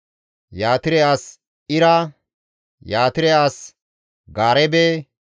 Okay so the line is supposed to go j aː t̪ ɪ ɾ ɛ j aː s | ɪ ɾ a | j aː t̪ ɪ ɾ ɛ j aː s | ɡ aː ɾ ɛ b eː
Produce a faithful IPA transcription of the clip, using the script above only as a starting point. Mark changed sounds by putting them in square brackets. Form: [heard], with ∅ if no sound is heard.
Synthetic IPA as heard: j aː t̪ ɪ ɾ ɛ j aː s | ɪ ɾ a | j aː t̪ ɪ ɾ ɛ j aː s | ɡ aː ɾ ɛ b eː